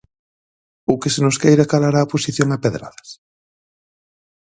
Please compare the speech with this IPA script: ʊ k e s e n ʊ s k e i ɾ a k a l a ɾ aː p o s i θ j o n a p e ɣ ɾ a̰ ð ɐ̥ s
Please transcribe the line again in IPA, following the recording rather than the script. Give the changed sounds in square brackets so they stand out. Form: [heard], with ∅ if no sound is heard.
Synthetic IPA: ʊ k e s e n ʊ s k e [j] ɾ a k a l a ɾ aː p o s i θ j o [ŋ] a p e [ð] ɾ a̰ ð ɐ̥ s